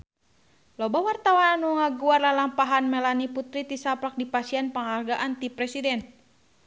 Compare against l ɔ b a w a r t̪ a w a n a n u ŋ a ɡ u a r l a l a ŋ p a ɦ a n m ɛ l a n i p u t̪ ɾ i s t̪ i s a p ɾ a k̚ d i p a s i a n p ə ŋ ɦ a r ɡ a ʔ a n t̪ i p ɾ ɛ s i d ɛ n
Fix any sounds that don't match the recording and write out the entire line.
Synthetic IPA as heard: l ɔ b a w a r t̪ a w a n a n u ŋ a ɡ u a r l a l a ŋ p a ɦ a n m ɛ l a n i p u t̪ ɾ i t̪ i s a p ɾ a k̚ d i p a s i a n p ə ŋ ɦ a r ɡ a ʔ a n t̪ i p ɾ ɛ s i d ɛ n